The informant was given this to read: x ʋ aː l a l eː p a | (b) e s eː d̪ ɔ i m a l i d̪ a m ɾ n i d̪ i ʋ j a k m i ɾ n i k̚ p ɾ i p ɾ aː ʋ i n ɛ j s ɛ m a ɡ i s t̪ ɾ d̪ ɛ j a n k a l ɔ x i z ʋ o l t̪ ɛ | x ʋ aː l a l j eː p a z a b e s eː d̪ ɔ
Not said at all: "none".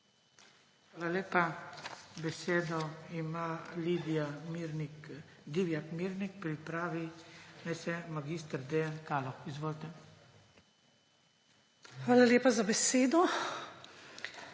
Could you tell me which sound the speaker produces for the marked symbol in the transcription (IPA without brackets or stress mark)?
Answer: b